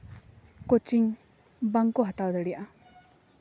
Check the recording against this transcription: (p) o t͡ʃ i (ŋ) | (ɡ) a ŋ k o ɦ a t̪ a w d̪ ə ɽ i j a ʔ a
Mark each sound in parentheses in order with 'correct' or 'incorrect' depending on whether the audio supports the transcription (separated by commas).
incorrect, correct, incorrect